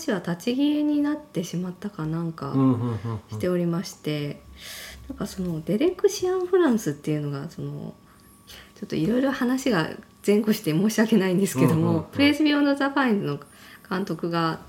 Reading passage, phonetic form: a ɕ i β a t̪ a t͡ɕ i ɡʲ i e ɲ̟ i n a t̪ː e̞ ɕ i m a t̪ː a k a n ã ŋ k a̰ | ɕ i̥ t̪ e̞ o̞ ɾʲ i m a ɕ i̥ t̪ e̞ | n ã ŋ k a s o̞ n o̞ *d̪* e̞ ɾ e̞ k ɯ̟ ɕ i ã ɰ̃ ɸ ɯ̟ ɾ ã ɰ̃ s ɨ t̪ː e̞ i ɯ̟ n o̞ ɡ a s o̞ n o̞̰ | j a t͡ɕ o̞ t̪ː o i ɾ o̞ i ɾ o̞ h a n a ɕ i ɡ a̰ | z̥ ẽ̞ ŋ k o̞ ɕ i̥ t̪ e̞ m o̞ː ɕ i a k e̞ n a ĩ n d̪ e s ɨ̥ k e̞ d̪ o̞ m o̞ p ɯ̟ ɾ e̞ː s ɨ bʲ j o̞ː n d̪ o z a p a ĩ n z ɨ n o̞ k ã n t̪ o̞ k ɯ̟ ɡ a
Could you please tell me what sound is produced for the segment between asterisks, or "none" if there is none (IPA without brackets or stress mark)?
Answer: d̪